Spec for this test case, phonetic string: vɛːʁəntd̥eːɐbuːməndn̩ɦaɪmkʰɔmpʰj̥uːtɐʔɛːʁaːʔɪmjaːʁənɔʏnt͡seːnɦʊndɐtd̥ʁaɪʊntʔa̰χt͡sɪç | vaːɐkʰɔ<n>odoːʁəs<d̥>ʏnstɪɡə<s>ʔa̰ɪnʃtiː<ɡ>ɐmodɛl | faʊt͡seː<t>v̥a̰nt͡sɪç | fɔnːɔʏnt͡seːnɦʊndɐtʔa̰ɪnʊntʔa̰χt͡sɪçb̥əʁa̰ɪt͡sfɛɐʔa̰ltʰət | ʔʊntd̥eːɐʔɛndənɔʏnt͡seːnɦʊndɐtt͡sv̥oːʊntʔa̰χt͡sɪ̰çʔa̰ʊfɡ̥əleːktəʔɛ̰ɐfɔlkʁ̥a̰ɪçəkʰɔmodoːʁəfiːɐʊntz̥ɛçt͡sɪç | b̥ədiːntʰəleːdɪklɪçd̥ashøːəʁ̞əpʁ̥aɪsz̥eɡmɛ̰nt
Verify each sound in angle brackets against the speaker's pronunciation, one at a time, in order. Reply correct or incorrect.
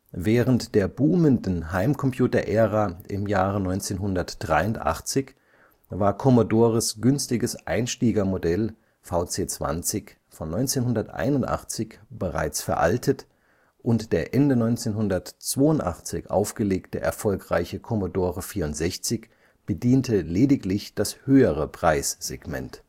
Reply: incorrect, incorrect, correct, correct, incorrect

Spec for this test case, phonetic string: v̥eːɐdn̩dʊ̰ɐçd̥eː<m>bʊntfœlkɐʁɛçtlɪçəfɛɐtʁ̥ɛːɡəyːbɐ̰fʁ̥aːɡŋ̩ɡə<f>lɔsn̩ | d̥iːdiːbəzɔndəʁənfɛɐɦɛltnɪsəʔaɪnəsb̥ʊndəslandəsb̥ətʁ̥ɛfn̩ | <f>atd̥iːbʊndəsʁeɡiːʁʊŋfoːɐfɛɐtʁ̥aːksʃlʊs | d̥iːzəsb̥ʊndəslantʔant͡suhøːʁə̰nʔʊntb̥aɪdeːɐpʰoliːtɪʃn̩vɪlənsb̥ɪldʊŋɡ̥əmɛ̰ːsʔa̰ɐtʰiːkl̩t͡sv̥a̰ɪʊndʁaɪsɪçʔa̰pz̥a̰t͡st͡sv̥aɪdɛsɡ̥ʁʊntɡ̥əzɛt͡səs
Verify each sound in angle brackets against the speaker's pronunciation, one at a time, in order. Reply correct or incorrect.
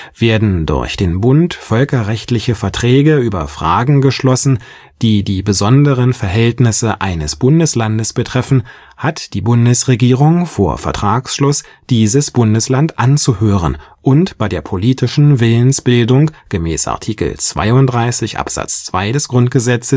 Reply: incorrect, incorrect, incorrect

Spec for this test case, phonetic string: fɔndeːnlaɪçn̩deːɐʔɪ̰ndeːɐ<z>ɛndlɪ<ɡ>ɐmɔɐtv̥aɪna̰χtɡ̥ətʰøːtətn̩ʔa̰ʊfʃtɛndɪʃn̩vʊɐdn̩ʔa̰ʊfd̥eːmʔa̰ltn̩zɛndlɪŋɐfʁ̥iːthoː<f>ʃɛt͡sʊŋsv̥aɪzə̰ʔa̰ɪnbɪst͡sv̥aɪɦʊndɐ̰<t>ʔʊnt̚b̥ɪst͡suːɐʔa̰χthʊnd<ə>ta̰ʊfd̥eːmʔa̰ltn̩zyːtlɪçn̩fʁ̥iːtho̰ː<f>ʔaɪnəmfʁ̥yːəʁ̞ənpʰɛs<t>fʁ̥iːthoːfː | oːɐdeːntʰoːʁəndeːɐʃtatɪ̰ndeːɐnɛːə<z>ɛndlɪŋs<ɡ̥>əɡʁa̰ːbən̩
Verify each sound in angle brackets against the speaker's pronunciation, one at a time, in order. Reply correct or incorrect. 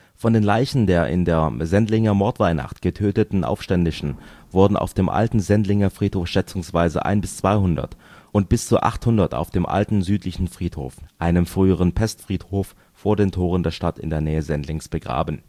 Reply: correct, incorrect, correct, correct, incorrect, correct, correct, correct, incorrect

